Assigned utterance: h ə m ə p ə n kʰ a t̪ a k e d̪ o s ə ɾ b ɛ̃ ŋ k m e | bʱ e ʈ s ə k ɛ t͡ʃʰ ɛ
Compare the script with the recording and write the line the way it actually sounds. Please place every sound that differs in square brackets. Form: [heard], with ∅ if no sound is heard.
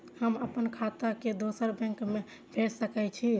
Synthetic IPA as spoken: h ə m ə p ə n kʰ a t̪ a k e d̪ o s ə ɾ b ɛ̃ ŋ k m e | bʱ e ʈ s ə k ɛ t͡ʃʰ [i]